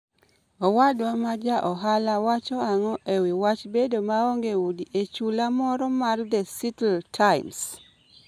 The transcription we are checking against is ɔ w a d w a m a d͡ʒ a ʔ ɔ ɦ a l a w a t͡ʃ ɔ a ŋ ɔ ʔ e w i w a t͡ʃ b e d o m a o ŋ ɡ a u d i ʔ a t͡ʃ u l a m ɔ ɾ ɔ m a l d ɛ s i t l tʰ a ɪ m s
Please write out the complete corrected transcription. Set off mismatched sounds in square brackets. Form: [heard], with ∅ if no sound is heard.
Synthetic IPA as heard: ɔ w a d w a m a d͡ʒ a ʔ ɔ ɦ a l a w a t͡ʃ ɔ a ŋ ɔ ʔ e w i w a t͡ʃ b e d o m a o ŋ ɡ [e] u d i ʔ [e] t͡ʃ u l a m ɔ ɾ ɔ m a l d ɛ s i t l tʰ a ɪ m s

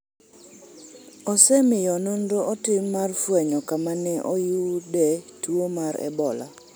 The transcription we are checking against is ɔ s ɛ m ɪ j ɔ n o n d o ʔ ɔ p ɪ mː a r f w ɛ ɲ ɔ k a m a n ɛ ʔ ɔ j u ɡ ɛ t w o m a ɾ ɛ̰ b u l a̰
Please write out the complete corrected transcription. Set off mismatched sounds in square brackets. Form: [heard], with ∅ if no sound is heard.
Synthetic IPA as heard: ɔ s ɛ m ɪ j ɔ n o n d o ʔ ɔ [t] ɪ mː a r f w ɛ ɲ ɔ k a m a n ɛ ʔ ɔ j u [d] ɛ t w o m a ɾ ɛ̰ b [ɔ] l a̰

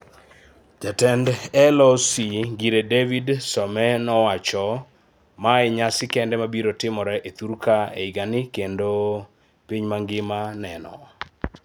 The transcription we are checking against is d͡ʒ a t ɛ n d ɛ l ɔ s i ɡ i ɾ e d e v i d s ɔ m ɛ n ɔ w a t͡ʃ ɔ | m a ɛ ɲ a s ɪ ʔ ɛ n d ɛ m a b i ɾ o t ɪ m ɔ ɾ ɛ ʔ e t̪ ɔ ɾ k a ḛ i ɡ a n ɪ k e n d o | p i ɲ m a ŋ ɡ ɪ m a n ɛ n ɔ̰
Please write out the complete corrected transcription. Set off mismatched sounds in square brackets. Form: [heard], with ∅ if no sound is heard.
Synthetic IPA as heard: d͡ʒ a t ɛ n d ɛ l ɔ s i ɡ i ɾ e d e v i d s ɔ m ɛ n ɔ w a t͡ʃ ɔ | m a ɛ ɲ a s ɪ [k] ɛ n d ɛ m a b i ɾ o t ɪ m ɔ ɾ ɛ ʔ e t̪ [u] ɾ k a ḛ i ɡ a n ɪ k e n d o | p i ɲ m a ŋ ɡ ɪ m a n ɛ n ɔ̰

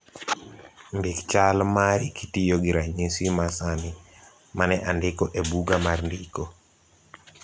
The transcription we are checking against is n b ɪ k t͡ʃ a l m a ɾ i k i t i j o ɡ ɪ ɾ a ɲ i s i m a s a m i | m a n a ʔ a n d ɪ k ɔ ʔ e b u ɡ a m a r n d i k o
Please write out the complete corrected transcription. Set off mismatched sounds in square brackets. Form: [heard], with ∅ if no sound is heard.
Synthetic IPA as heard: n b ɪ k t͡ʃ a l m a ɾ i k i t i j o ɡ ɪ ɾ a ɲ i s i m a s a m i | m a n [ɛ] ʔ a n d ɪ k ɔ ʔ e b u ɡ a m a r n d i k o

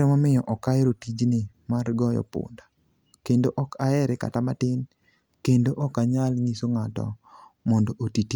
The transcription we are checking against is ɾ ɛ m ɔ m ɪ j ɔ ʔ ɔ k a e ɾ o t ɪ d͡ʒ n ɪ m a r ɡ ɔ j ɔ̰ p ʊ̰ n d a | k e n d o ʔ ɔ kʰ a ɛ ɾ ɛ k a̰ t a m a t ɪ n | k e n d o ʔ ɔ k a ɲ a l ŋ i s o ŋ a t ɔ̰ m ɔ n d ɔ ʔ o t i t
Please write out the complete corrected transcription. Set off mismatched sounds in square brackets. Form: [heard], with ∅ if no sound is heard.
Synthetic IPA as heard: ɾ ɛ m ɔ m ɪ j ɔ ʔ ɔ k a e ɾ o t [i] d͡ʒ n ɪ m a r ɡ ɔ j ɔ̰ p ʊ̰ n d a | k e n d o ʔ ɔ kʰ a ɛ ɾ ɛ k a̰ t a m a t ɪ n | k e n d o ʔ ɔ k a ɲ a l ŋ i s o ŋ a t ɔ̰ m ɔ n d ɔ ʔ o t i t

